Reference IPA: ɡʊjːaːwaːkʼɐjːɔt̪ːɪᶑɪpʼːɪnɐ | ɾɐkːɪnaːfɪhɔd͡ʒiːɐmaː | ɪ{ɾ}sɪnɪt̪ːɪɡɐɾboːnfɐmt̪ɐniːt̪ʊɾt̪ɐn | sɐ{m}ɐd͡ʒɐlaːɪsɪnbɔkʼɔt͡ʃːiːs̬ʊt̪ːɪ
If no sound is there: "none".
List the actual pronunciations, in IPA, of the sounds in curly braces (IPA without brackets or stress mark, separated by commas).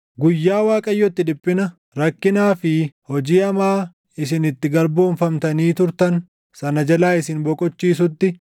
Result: none, n